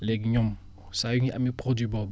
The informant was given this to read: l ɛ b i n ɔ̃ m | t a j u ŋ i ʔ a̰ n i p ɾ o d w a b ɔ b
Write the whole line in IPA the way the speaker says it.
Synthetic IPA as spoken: l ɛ ɡ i ɲ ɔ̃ m | s a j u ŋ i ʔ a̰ m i p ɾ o d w i b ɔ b